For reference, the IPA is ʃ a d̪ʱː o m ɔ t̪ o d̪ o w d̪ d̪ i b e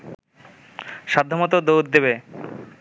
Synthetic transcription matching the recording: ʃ a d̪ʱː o m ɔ t̪ o d̪ o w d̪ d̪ e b e